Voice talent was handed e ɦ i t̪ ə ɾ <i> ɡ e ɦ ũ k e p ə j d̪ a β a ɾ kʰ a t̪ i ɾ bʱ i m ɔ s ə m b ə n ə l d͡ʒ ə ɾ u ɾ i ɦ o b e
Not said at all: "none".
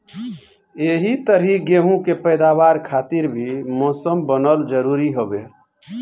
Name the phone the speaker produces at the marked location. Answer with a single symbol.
i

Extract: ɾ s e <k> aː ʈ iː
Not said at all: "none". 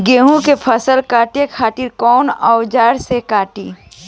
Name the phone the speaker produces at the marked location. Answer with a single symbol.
k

